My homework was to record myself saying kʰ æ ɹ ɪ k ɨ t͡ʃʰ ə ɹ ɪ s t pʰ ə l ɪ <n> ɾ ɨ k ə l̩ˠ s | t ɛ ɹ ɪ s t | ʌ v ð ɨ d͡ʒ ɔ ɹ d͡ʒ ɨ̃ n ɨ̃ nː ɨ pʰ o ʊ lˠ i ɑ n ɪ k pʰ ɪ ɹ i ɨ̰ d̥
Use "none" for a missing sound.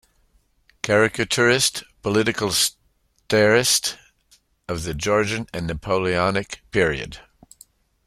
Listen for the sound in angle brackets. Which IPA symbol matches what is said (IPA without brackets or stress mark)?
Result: none